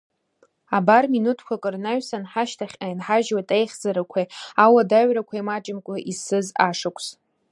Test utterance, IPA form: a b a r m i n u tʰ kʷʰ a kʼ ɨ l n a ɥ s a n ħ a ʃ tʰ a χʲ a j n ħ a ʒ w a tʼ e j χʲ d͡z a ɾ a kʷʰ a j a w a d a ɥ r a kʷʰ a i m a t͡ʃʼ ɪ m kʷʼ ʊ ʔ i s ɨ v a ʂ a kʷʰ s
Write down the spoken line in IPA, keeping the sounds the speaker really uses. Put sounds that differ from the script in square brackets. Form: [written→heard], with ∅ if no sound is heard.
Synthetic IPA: a b a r m i n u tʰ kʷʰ a kʼ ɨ [l→r] n a ɥ s a n ħ a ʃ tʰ a χʲ a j n ħ a ʒ w a tʼ e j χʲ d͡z a ɾ a kʷʰ a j a w a d a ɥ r a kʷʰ a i m a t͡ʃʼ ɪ m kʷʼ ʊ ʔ i s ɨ [v→z] a ʂ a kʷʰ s